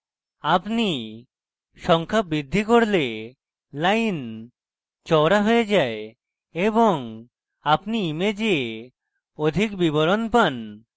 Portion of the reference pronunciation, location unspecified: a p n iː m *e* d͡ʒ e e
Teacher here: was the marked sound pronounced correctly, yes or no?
yes